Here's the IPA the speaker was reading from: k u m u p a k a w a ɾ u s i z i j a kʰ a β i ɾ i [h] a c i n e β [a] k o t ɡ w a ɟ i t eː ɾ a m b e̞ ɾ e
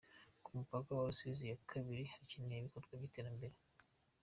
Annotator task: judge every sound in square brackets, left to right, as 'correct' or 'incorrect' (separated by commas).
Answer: correct, incorrect